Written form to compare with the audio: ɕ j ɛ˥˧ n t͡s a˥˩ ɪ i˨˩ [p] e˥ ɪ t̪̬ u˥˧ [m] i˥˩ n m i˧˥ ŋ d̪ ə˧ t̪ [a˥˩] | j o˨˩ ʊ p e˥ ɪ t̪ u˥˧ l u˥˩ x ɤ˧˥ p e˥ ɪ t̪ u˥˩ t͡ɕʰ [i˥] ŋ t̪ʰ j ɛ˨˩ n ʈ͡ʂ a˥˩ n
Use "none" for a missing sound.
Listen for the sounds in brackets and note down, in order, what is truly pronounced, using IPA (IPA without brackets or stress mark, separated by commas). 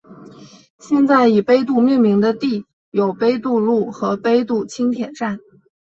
p, m, i˥˩, i˥